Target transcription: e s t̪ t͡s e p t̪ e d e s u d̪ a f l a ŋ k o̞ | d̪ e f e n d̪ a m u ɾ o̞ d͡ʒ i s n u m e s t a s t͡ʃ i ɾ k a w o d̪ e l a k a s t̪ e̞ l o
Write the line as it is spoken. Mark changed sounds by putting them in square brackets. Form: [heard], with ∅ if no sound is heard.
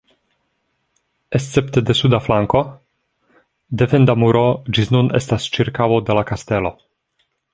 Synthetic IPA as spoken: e s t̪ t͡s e p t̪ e d e s u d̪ a f l a ŋ k o̞ | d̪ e f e n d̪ a m u ɾ o̞ d͡ʒ i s n u [n] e s t a s t͡ʃ i ɾ k a w o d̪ e l a k a s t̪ e̞ l o